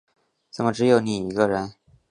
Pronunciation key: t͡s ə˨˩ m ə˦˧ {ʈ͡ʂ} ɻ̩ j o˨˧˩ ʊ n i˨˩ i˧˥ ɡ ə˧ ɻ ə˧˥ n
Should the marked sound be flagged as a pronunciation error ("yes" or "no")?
no